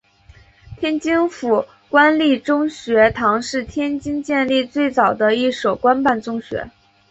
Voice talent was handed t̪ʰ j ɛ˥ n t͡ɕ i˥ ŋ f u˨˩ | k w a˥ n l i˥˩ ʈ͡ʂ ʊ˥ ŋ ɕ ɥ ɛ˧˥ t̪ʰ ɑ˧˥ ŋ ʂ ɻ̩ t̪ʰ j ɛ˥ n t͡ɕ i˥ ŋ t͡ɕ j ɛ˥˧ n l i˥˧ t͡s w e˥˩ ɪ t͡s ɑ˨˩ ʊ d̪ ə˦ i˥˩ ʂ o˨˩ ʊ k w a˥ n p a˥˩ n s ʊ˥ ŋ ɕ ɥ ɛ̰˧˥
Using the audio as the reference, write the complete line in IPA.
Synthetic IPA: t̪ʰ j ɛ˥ n t͡ɕ i˥ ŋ f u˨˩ | k w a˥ n l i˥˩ ʈ͡ʂ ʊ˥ ŋ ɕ ɥ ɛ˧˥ t̪ʰ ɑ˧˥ ŋ ʂ ɻ̩ t̪ʰ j ɛ˥ n t͡ɕ i˥ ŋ t͡ɕ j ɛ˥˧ n l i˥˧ t͡s w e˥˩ ɪ t͡s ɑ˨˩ ʊ d̪ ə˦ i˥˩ ʂ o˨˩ ʊ k w a˥ n p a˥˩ n t͡s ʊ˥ ŋ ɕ ɥ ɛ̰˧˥